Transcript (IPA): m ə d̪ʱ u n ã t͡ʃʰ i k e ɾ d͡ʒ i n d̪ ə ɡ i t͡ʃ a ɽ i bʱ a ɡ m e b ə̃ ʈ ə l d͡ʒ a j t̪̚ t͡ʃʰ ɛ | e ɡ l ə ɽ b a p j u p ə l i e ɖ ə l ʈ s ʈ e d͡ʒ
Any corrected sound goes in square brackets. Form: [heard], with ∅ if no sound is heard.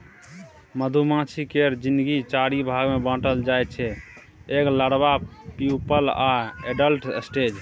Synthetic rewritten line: m ə d̪ʱ u [m] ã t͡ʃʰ i k e ɾ d͡ʒ i n d̪ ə ɡ i t͡ʃ a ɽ i bʱ a ɡ m e b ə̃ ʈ ə l d͡ʒ a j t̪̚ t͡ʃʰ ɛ | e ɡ l ə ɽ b a p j u p ə l [a] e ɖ ə l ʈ s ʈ e d͡ʒ